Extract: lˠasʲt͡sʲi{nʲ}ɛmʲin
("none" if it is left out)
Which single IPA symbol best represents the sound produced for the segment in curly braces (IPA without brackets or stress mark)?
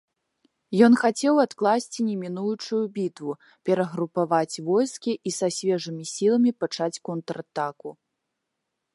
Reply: nʲ